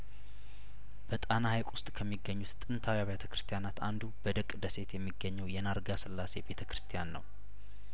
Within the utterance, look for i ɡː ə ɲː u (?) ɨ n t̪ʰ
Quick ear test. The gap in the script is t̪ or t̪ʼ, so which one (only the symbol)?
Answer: t̪ʼ